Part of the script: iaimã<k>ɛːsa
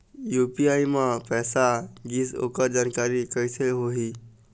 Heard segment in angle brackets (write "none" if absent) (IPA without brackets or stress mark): p